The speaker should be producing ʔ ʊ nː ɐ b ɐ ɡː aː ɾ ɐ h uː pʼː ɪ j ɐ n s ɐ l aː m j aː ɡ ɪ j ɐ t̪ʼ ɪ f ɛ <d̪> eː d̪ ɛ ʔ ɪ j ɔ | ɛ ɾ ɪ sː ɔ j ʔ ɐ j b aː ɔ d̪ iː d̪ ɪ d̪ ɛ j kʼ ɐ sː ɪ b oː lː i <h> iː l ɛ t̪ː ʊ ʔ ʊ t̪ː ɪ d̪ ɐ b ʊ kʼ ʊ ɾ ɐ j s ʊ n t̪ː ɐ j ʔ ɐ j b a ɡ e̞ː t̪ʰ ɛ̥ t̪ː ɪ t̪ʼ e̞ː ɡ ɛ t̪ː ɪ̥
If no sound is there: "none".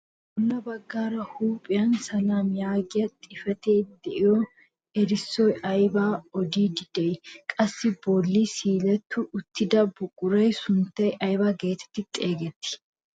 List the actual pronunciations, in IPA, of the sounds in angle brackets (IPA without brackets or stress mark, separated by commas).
t̪, s